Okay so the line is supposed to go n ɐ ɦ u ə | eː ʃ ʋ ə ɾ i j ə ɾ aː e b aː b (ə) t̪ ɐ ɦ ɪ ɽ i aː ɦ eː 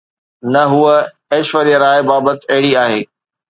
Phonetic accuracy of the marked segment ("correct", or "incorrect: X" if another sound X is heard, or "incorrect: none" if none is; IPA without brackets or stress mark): correct